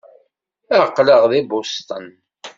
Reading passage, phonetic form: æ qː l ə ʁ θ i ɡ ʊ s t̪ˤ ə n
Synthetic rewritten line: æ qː l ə ʁ ð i b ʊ s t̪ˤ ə n